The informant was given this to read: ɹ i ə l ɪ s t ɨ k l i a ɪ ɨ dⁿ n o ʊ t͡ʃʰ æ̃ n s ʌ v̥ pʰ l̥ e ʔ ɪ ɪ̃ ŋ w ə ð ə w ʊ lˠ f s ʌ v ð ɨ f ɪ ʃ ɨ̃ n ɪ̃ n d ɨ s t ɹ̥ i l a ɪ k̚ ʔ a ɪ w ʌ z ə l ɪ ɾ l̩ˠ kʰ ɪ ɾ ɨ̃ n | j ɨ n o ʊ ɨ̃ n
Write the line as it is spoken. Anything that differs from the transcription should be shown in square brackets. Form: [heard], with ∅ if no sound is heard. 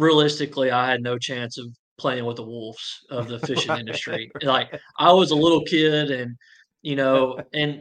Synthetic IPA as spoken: ɹ i ə l ɪ s t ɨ k l i a ɪ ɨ dⁿ n o ʊ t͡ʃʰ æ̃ n s ʌ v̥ pʰ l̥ e [∅] ɪ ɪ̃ ŋ w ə ð ə w ʊ lˠ f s ʌ v ð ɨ f ɪ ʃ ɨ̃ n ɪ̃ n d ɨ s t ɹ̥ i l a ɪ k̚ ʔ a ɪ w ʌ z ə l ɪ ɾ l̩ˠ kʰ ɪ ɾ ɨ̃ n | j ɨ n o ʊ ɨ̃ n